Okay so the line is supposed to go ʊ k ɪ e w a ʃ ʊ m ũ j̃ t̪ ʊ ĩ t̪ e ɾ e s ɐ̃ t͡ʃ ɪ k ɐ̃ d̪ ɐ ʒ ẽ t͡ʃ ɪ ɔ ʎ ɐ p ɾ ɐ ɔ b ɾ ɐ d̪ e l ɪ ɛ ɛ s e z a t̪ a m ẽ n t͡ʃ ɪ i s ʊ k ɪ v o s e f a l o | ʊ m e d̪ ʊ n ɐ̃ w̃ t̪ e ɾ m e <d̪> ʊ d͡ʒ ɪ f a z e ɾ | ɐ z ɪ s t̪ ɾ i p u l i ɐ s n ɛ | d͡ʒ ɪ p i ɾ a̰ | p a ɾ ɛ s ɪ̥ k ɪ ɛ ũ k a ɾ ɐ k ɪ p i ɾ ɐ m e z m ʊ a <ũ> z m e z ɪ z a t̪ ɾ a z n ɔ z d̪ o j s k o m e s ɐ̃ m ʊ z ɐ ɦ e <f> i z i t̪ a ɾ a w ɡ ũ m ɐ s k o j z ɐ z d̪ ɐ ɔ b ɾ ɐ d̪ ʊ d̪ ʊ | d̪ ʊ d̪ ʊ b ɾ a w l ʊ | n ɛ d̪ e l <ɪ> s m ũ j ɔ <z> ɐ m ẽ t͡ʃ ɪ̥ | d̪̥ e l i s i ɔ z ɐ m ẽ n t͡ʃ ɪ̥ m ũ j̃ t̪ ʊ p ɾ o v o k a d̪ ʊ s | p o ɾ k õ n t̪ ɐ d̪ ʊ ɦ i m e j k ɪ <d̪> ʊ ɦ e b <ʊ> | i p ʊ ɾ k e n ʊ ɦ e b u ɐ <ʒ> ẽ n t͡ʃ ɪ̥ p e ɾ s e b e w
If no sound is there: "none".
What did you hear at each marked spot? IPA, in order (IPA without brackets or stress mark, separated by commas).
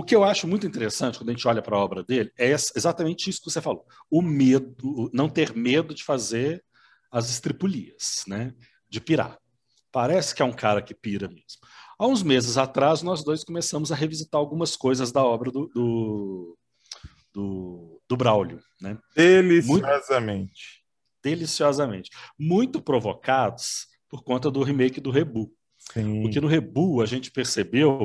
d̪, ũ, v, i, z, d̪, u, ʒ